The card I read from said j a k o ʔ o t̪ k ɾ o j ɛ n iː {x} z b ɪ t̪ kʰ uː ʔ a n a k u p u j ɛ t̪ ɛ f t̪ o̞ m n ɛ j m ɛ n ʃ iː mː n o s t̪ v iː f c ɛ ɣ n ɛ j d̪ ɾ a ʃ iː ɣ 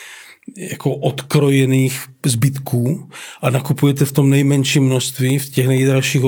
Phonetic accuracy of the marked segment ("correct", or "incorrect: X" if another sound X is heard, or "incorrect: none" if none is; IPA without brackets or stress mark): correct